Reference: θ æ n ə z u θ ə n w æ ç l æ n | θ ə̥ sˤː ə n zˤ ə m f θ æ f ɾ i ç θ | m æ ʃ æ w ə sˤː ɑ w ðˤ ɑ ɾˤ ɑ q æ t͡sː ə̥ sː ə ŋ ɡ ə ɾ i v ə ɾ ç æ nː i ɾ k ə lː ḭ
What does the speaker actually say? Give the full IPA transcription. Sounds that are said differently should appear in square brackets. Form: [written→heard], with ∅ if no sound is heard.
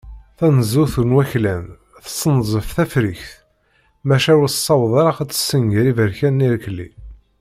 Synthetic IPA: θ æ n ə z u θ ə n w æ ç l æ n | θ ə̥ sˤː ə n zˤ ə [m→∅] f θ æ f ɾ i ç θ | m æ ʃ æ w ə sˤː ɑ w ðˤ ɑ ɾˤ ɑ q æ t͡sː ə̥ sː ə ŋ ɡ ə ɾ i v ə ɾ ç æ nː i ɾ k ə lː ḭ